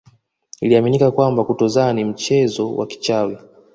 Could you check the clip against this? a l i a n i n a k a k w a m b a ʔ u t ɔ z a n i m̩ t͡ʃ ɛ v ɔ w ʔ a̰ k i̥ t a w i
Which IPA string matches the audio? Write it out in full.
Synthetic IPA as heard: i l i a m i n i k a k w a m b a k u t ɔ z a n i m̩ t͡ʃ ɛ z ɔ w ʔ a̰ k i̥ t͡ʃ a w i